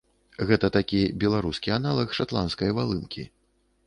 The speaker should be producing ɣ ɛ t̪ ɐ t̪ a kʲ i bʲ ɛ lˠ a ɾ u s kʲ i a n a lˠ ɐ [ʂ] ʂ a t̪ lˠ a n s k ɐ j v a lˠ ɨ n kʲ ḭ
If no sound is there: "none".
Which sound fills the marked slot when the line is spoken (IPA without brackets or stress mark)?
x